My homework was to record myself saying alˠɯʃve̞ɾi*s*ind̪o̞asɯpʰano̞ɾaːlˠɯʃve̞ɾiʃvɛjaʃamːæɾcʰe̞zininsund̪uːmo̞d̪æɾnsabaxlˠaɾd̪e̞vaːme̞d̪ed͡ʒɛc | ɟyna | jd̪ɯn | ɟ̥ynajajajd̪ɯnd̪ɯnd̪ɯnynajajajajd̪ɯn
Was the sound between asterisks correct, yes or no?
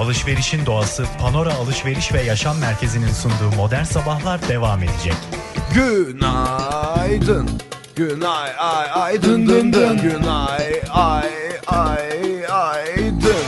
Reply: no